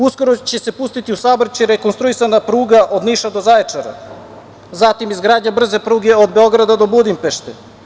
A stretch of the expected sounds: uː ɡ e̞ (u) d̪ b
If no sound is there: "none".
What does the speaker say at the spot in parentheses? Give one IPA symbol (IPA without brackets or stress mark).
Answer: o